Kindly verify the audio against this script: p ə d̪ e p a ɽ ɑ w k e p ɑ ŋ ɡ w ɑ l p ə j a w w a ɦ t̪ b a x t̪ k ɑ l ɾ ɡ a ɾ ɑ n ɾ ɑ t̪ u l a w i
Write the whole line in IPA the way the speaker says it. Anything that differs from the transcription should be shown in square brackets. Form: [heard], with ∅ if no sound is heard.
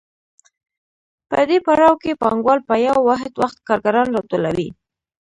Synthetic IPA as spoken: p ə d̪ e p a ɽ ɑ w k e p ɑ ŋ ɡ w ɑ l p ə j a w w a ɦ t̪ [w] a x t̪ k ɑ [∅] ɾ ɡ a ɾ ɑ n ɾ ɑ t̪ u l a w i